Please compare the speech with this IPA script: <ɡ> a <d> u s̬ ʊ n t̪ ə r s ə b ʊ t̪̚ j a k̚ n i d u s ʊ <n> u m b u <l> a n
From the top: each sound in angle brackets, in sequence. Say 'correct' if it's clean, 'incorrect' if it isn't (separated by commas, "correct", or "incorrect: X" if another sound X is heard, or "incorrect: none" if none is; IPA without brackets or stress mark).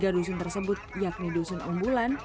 correct, correct, correct, correct